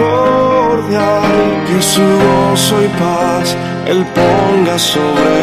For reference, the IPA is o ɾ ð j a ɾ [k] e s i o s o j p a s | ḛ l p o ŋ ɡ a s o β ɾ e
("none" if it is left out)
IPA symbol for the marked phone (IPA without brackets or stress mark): k